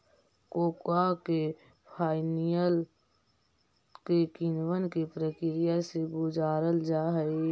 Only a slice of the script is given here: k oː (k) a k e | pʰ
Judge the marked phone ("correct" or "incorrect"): correct